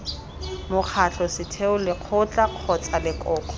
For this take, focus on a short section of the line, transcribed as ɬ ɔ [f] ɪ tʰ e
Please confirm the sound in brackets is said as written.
no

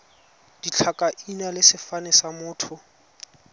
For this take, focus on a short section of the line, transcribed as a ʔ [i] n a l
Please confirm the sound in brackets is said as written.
yes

